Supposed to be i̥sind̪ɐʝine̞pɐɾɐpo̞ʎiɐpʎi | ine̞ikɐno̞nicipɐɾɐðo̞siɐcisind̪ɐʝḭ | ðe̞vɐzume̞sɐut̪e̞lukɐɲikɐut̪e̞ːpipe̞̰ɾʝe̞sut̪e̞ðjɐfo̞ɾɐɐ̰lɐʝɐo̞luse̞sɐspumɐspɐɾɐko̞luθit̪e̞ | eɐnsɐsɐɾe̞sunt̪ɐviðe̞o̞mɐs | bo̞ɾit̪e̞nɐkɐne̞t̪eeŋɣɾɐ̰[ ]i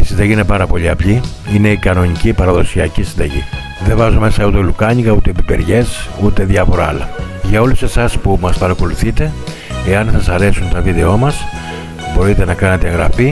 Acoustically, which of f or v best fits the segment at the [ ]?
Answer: f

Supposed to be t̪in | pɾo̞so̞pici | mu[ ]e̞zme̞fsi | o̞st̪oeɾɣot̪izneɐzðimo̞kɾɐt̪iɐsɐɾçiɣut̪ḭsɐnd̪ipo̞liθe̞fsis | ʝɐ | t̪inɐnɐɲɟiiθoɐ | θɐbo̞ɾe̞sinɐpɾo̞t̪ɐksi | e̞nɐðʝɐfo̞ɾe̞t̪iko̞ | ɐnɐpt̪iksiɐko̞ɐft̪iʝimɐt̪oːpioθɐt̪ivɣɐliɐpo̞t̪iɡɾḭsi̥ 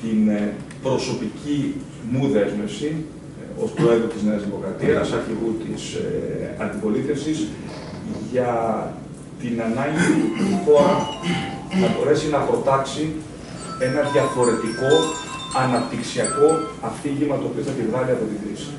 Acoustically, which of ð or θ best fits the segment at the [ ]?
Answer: ð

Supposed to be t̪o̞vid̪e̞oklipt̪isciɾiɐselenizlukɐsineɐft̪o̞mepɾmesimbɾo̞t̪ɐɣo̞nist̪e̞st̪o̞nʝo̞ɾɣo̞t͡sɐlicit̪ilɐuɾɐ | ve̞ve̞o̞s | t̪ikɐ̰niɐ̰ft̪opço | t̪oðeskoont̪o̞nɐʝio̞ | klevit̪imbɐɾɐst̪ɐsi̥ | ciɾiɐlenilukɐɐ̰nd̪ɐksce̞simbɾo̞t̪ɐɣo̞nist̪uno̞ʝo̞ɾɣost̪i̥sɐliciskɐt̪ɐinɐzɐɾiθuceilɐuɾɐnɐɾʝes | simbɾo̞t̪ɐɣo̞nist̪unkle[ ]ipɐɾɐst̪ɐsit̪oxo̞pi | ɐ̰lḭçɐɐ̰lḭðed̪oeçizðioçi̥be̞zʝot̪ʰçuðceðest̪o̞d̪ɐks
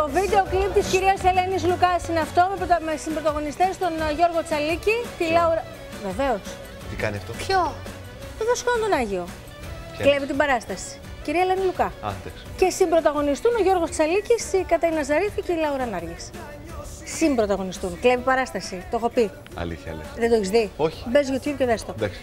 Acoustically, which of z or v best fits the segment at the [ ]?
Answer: v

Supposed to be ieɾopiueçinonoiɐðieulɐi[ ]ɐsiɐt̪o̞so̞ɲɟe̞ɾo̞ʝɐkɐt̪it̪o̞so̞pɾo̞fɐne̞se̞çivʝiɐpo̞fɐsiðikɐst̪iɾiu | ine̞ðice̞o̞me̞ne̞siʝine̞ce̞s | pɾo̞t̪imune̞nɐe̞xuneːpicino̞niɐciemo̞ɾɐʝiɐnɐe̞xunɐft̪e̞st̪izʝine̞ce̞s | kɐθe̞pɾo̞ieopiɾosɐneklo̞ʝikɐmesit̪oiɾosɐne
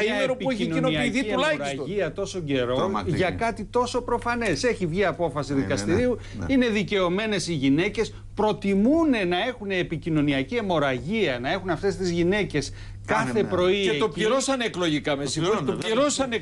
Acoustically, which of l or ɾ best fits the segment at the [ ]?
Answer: ɾ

